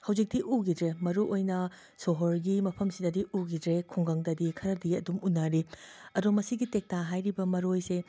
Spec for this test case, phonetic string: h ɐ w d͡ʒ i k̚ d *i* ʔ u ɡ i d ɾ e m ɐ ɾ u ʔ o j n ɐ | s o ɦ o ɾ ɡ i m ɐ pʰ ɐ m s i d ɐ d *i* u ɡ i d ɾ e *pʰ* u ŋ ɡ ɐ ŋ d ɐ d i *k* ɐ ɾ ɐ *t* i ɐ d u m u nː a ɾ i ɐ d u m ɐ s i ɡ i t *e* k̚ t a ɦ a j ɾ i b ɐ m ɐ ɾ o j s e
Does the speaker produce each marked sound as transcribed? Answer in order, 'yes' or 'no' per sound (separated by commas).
yes, yes, no, no, no, yes